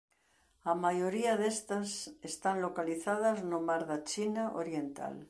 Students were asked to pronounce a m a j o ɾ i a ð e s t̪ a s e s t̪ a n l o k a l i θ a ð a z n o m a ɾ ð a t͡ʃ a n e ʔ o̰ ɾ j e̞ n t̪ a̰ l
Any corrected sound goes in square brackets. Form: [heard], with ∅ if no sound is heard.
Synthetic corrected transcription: a m a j o ɾ i a ð e s t̪ a s e s t̪ a n l o k a l i θ a ð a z n o m a ɾ ð a t͡ʃ [i] n [a] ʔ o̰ ɾ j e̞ n t̪ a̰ l